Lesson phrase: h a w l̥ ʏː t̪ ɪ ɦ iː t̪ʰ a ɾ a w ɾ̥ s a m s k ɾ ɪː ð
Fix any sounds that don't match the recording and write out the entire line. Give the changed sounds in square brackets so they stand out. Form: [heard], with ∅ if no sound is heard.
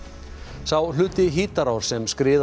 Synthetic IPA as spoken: [s] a w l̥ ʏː t̪ ɪ ɦ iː [t̪] a ɾ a w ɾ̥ s [ɛ] m s k ɾ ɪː ð